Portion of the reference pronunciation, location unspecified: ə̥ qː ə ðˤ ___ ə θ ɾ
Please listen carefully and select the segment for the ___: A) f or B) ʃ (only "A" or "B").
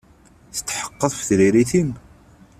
A